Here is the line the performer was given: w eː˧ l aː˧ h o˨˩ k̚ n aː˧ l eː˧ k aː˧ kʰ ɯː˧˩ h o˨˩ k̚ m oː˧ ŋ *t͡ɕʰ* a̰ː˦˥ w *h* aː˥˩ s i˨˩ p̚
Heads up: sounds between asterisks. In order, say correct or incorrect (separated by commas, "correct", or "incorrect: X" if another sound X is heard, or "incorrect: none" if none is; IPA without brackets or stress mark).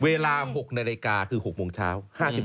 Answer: correct, correct